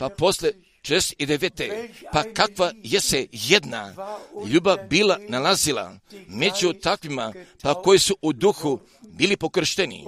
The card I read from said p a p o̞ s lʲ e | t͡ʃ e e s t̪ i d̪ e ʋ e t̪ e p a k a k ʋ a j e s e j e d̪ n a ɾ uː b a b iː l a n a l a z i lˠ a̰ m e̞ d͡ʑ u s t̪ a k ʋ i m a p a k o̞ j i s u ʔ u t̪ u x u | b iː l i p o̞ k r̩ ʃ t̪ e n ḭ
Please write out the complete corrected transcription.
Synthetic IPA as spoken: p a p o̞ s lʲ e | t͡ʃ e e s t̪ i d̪ e ʋ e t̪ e p a k a k ʋ a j e s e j e d̪ n a ʎ uː b a b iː l a n a l a z i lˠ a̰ m e̞ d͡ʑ u t̪ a k ʋ i m a p a k o̞ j i s u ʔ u d̪ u x u | b iː l i p o̞ k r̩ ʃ t̪ e n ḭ